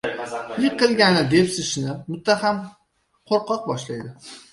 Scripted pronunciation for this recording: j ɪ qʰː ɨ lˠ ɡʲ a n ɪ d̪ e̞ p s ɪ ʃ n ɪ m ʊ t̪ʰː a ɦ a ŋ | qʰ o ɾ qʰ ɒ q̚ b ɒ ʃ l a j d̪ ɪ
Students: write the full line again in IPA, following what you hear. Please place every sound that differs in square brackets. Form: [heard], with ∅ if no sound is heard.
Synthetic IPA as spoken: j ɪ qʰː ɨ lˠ ɡʲ a n ɪ d̪ e̞ p s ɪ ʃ n ɪ m ʊ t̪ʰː a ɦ a [m] | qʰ o ɾ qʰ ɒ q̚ b ɒ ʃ l a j d̪ ɪ